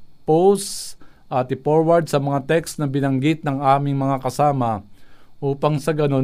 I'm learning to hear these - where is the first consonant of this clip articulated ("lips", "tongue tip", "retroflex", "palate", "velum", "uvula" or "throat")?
lips